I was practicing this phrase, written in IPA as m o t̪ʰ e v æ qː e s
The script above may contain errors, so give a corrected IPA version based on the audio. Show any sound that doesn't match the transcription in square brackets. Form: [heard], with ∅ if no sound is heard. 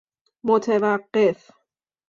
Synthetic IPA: m o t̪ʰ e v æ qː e [f]